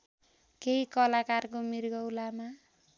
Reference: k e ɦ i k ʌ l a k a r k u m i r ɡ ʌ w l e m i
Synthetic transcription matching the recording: k e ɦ i k ʌ l a k a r k o m i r ɡ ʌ w l a m a